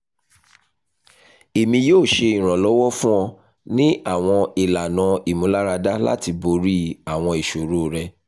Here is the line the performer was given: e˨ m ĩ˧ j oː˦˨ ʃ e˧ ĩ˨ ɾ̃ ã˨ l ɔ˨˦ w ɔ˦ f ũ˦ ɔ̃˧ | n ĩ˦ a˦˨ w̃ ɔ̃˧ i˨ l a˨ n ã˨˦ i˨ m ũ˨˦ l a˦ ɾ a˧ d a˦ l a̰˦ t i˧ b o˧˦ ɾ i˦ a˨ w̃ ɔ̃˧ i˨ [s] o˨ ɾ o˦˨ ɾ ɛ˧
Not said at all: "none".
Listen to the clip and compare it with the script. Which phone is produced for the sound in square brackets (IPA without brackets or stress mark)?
ʃ